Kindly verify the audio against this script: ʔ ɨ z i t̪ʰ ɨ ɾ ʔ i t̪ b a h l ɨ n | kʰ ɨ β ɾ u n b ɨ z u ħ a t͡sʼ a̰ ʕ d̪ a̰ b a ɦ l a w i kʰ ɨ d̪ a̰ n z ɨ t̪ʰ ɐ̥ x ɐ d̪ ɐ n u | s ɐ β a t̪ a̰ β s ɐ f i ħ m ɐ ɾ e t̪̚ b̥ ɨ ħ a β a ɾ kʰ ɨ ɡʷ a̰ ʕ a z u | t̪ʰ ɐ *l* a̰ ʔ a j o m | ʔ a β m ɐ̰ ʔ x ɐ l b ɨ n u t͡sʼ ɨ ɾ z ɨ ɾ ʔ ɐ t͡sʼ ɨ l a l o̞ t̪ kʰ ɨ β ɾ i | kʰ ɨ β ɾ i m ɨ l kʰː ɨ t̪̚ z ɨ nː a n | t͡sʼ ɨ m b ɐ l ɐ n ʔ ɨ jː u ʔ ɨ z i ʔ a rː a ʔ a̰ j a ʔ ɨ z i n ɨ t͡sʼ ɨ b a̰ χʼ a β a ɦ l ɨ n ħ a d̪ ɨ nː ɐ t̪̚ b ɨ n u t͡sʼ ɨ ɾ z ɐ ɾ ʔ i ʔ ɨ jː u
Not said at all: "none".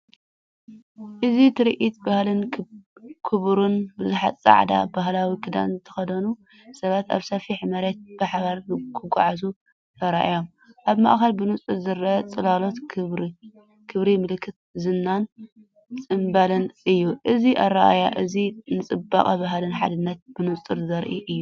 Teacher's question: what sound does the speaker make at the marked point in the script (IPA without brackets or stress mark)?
ɾ